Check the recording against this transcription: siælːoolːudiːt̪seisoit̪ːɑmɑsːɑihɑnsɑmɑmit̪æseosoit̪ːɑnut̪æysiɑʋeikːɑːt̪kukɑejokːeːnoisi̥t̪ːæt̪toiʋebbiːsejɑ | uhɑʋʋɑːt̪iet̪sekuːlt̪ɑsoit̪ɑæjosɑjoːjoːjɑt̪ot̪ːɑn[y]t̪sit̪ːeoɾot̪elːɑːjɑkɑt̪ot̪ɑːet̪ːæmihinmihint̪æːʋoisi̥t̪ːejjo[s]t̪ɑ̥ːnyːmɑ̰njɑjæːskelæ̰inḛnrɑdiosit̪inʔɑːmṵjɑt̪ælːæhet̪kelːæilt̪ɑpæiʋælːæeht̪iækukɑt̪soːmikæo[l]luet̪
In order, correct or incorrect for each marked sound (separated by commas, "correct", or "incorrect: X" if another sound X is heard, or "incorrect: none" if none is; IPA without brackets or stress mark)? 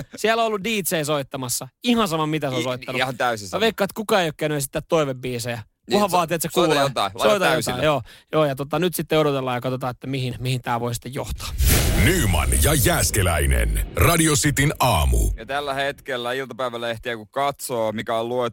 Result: correct, incorrect: h, correct